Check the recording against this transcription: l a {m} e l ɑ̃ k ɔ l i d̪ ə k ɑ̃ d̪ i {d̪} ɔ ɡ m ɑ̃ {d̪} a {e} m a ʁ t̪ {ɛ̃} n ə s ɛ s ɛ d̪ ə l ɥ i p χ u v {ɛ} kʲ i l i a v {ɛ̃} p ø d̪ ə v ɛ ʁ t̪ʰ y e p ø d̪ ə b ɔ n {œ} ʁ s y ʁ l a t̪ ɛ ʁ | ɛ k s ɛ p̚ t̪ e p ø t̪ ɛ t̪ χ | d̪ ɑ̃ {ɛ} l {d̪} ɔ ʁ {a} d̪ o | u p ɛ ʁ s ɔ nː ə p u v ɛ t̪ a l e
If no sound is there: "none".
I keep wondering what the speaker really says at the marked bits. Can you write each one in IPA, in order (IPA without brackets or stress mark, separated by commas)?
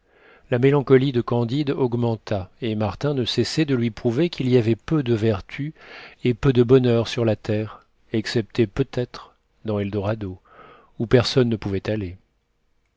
m, d̪, t̪, e, ɛ̃, e, ɛ, œ, ɛ, d̪, a